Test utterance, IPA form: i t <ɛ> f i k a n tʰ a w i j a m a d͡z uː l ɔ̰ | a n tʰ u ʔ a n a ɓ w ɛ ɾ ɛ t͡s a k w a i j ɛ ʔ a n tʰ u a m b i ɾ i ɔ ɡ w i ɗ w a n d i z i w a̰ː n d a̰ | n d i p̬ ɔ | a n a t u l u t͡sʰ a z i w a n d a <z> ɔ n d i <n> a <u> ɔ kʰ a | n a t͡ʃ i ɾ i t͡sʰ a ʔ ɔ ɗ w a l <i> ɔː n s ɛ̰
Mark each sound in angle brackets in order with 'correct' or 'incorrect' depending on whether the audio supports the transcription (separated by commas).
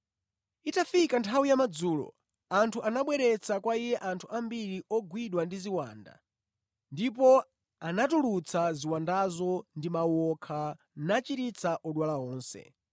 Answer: incorrect, correct, incorrect, incorrect, incorrect